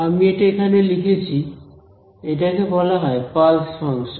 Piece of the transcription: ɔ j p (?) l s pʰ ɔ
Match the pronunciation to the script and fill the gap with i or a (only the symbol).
a